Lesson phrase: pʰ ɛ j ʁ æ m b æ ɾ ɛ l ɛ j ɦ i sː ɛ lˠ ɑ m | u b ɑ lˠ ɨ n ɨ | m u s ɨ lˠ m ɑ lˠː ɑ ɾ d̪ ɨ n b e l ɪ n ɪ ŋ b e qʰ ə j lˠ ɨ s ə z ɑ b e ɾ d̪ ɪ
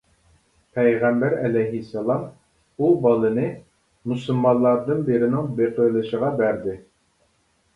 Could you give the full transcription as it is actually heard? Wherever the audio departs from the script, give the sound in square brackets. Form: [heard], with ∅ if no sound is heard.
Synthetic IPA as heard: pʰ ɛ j ʁ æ m b æ ɾ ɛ l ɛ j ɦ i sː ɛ lˠ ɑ m | u b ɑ lˠ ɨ n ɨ | m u s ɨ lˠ m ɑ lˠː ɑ ɾ d̪ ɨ n b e [ɾ] ɪ n ɪ ŋ b e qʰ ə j lˠ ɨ [ʃ] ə [ʁ] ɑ b [æ] ɾ d̪ ɪ